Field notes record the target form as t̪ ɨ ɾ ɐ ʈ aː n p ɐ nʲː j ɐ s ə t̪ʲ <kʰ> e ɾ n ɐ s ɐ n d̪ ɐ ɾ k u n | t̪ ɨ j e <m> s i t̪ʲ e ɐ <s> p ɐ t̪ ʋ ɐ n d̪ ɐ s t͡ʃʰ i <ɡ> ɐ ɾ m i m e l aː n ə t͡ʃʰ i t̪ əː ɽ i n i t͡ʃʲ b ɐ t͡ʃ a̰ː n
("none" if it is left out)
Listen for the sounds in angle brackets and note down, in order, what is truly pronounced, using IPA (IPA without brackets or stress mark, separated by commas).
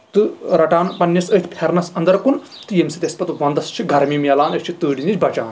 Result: pʰ, m, s, ɡ